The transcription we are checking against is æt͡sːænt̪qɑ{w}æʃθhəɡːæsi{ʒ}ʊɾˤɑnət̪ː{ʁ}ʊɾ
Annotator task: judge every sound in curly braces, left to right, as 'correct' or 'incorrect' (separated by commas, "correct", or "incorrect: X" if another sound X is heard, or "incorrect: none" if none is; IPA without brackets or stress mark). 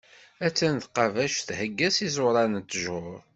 incorrect: v, incorrect: z, incorrect: ʒ